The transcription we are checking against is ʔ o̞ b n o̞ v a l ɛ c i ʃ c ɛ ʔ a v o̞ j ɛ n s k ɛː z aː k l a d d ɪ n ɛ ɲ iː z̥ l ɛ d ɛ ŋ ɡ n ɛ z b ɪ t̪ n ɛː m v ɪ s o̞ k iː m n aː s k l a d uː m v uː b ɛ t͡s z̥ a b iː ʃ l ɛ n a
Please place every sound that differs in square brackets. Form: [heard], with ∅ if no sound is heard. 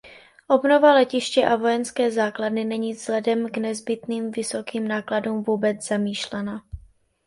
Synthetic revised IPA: ʔ o̞ b n o̞ v a l ɛ c [ɪ] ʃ c ɛ ʔ a v o̞ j ɛ n s k ɛː z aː k l a d [n] ɪ n ɛ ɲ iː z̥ l ɛ d ɛ [m] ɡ n ɛ z b ɪ t̪ n [iː] m v ɪ s o̞ k iː m n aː [∅] k l a d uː m v uː b ɛ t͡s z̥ a [m] iː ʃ l ɛ n a